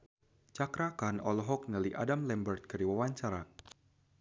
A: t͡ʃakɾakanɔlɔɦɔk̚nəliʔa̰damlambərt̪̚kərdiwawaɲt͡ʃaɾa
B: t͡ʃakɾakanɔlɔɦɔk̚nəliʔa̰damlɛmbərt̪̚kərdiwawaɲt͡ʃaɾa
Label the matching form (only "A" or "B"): B